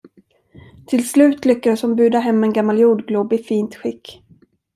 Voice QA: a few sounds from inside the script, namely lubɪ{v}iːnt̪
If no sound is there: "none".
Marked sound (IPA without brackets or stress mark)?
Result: f